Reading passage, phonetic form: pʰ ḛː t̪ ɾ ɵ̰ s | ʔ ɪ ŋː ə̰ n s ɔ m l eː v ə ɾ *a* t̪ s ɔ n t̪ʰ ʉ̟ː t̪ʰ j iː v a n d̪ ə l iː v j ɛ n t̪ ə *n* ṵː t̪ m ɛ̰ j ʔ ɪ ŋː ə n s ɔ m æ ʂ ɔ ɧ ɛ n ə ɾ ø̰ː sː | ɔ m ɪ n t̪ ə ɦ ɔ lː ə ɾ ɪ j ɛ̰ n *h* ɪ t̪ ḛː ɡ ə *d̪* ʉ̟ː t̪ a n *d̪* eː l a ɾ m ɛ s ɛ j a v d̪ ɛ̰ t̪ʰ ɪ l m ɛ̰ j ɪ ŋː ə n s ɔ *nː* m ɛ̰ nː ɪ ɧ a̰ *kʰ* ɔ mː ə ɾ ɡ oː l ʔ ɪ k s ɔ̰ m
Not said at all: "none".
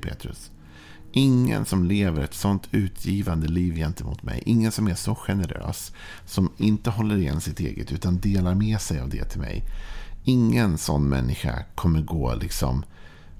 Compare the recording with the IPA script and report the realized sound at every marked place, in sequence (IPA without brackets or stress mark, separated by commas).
ɛ, m, s, t̪, d̪, nː, kʰ